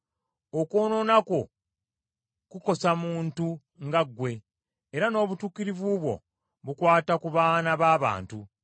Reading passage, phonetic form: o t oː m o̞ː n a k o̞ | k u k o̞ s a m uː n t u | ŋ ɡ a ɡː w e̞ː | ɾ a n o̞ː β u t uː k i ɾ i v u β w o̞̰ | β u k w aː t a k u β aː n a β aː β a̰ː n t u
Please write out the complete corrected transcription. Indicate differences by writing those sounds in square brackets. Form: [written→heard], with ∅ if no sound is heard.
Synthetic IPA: o [t→k] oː [m→n] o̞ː n a k o̞ | k u k o̞ s a m uː n t u | ŋ ɡ a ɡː w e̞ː | ɾ a n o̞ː β u t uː k i ɾ i v u β w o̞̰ | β u k w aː t a k u β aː n a β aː β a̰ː n t u